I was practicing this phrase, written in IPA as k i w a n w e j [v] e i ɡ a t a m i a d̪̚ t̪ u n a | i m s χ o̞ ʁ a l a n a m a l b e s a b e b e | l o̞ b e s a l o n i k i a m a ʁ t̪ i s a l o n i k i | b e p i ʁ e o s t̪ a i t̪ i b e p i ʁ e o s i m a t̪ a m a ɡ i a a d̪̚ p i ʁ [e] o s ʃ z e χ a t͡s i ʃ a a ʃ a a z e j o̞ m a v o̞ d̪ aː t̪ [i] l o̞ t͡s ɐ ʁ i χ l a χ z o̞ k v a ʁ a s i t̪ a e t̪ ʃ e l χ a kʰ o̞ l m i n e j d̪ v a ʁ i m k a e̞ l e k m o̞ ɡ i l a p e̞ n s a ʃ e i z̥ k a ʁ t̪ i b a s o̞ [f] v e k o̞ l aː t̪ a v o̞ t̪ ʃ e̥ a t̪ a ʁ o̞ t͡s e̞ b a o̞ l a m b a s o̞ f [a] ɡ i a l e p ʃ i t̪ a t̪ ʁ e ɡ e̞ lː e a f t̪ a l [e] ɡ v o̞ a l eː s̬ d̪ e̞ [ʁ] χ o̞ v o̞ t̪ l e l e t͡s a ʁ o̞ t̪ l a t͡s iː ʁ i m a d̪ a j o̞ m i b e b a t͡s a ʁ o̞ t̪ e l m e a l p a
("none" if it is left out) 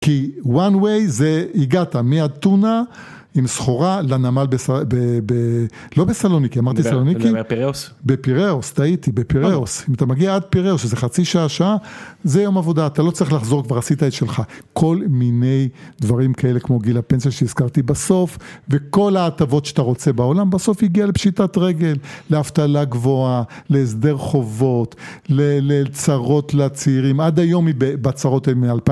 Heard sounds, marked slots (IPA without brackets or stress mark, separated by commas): z, e, a, f, i, a, ʁ